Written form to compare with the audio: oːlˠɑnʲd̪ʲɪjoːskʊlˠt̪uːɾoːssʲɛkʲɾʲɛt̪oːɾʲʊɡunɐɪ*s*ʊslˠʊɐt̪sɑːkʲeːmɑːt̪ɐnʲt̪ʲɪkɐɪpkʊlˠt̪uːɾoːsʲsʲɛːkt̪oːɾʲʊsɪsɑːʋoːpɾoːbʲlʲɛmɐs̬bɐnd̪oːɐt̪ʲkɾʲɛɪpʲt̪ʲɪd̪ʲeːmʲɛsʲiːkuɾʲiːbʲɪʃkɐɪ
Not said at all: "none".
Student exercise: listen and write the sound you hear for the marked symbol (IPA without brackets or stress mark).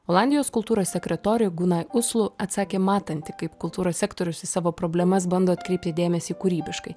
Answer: none